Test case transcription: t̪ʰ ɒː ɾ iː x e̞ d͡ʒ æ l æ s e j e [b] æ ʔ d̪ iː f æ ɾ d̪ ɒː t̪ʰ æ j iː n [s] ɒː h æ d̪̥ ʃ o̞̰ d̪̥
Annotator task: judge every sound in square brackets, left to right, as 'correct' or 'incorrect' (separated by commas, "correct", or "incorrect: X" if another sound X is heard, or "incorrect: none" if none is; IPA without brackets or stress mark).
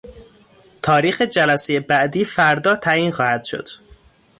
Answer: correct, incorrect: x